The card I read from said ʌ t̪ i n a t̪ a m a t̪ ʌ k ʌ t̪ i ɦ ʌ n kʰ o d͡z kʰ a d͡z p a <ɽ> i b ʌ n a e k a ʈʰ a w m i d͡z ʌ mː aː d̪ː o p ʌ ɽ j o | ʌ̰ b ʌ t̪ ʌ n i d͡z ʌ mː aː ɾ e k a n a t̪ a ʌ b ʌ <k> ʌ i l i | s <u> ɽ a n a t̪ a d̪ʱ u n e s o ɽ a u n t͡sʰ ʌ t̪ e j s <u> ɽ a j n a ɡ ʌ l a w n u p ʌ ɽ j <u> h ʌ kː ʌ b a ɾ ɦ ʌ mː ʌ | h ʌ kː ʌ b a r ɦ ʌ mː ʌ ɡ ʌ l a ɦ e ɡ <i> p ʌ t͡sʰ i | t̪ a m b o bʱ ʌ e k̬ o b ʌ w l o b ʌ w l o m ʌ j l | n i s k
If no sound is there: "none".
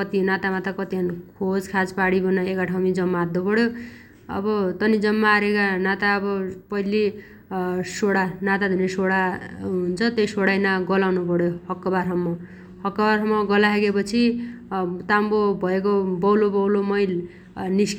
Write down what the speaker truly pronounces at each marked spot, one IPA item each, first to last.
ɽ, p, o, o, o, e

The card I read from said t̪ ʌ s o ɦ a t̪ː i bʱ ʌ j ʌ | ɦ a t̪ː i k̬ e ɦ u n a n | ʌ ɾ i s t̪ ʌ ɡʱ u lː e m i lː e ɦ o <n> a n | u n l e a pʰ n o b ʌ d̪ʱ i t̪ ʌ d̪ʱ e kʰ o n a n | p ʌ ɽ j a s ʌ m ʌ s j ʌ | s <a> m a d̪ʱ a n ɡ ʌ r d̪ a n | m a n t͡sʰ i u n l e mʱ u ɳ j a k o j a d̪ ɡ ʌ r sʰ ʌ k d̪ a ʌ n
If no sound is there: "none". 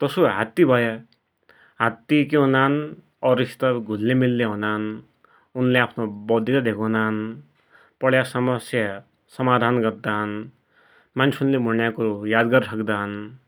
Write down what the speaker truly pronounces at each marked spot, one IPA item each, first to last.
n, ʌ

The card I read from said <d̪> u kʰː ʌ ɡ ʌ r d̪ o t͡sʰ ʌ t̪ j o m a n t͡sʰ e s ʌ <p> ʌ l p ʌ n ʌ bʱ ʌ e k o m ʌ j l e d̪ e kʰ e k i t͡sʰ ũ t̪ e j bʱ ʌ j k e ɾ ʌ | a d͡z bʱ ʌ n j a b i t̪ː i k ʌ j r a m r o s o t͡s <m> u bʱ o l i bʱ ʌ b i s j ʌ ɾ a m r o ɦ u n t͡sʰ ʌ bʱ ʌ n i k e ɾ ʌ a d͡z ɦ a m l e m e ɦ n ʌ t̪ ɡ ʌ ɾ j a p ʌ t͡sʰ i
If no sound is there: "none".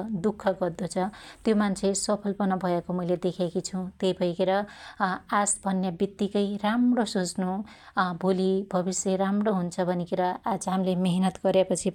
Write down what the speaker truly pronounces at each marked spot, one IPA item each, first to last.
d̪, pʰ, n

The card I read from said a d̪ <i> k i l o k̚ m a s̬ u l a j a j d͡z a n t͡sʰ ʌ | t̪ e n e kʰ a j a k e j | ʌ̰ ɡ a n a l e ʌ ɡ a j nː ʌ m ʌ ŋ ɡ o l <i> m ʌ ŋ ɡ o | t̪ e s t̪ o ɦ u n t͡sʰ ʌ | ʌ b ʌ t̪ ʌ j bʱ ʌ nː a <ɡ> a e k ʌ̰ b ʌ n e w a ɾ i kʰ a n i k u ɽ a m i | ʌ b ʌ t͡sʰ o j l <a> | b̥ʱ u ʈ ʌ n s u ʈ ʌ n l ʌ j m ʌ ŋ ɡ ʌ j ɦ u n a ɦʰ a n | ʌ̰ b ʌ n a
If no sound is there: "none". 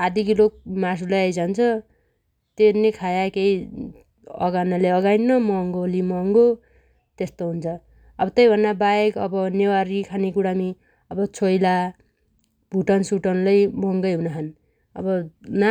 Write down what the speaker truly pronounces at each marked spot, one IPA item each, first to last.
i, i, b, a

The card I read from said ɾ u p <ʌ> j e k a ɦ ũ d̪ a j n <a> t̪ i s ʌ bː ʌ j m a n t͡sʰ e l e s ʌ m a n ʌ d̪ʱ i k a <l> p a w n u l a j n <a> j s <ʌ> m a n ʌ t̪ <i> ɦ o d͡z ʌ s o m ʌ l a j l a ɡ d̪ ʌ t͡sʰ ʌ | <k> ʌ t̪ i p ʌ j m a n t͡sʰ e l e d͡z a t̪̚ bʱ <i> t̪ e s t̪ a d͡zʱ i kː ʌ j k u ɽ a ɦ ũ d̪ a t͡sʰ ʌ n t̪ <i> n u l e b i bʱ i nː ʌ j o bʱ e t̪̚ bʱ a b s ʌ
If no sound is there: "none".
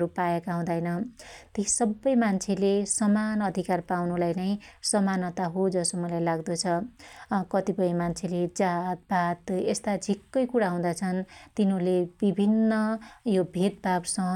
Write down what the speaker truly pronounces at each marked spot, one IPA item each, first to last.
a, ʌ, r, ʌ, ʌ, a, k, a, i

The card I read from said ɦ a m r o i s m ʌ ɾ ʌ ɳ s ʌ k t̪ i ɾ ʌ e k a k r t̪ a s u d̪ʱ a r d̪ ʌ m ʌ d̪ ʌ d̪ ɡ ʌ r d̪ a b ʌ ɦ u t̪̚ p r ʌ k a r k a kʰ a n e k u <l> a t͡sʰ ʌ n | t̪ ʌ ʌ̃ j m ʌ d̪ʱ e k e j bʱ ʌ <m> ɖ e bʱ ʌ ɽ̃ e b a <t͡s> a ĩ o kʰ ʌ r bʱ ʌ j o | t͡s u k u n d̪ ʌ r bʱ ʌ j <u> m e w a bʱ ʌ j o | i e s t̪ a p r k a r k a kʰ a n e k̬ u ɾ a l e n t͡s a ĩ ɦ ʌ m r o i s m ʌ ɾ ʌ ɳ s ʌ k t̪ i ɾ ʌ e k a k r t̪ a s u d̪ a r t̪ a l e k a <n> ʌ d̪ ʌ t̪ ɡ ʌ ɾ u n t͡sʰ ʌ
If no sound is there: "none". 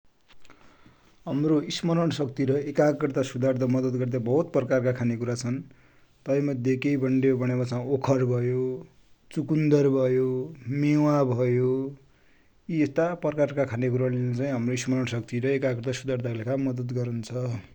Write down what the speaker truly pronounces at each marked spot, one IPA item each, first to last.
ɾ, ɳ, t͡s, o, m

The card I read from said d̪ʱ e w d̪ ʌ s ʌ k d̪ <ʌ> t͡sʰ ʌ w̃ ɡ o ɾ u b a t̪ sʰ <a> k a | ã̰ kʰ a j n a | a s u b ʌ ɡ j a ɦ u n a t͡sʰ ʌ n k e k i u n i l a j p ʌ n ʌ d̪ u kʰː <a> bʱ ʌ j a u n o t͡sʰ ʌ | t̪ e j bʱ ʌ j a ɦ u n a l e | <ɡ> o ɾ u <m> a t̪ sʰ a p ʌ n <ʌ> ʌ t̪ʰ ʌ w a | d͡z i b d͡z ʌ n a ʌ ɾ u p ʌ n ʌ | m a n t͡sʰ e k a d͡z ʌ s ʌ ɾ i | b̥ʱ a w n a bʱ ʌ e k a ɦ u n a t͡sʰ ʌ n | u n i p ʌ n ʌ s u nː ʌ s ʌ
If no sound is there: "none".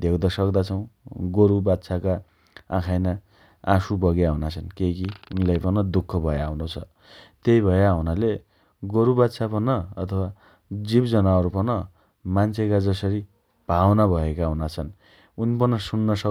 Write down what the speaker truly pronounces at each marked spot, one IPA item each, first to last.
a, a, ʌ, ɡ, b, ʌ

